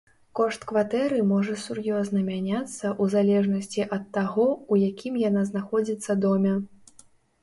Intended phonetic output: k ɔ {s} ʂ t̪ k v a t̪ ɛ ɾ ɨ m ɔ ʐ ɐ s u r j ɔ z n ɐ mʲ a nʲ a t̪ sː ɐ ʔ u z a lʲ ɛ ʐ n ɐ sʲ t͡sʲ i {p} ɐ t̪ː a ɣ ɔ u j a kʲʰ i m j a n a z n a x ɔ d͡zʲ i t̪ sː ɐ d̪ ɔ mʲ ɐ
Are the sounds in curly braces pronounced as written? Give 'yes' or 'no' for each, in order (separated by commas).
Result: no, no